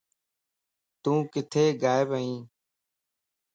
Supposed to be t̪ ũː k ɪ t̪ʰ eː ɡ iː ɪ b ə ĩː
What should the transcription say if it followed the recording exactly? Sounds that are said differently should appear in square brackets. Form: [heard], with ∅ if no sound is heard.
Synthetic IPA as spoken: t̪ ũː k ɪ t̪ʰ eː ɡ [aː] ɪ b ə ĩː